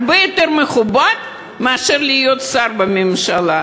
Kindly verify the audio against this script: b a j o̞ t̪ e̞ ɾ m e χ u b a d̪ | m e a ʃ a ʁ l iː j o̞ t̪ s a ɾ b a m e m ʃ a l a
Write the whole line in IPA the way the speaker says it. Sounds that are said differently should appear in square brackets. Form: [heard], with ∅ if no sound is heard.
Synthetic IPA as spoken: b [e] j o̞ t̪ e̞ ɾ m e χ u b a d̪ | m e a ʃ [e] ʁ l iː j o̞ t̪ s a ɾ b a m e m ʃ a l a